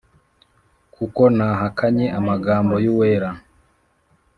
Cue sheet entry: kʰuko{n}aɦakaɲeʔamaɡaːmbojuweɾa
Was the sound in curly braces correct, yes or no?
yes